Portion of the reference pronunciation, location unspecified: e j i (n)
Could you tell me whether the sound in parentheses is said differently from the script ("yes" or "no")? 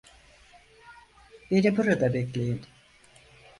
no